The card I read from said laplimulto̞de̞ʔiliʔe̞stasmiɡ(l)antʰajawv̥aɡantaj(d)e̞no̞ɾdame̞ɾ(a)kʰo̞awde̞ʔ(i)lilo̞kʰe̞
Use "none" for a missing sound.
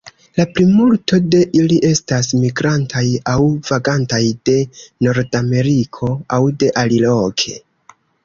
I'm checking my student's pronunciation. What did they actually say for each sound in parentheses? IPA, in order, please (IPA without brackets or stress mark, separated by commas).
ɾ, d, i, a